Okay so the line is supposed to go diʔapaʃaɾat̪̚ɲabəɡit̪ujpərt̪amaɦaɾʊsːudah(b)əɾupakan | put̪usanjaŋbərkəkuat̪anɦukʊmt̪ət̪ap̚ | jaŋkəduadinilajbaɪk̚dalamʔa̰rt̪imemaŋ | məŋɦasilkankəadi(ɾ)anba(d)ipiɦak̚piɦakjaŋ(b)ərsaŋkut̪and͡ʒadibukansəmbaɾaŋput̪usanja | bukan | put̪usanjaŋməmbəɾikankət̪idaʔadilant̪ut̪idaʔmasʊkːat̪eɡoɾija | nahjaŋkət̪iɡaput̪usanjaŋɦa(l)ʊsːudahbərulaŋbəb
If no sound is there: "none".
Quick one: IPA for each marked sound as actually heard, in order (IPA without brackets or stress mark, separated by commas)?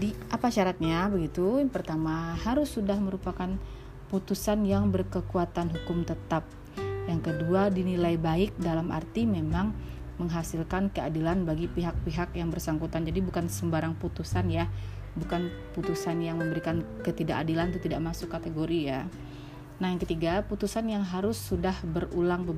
m, l, ɡ, b, ɾ